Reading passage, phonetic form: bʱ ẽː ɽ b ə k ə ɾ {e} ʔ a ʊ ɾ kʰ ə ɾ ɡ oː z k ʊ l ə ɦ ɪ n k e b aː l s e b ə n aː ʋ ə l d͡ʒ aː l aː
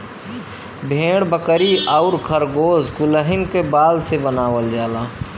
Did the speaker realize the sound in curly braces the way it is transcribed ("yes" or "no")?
no